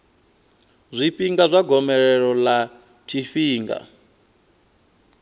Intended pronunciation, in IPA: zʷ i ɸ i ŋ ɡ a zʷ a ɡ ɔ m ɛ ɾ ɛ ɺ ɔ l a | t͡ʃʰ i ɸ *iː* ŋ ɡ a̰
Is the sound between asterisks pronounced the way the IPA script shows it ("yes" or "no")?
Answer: yes